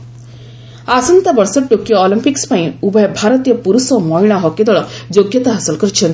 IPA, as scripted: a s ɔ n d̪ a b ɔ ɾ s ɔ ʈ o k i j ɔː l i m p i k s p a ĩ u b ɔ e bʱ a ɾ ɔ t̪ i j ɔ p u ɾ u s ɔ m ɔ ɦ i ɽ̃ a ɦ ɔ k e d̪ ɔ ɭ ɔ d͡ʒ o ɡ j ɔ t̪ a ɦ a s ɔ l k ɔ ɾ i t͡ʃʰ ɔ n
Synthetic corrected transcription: a s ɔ n t̪ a b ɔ ɾ s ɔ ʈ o k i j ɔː l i m p i k s p a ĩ u b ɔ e bʱ a ɾ ɔ t̪ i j ɔ p u ɾ u s ɔ m ɔ ɦ i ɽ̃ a ɦ ɔ k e d̪ ɔ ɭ ɔ d͡ʒ o ɡ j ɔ t̪ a ɦ a s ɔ l k ɔ ɾ i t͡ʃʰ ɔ n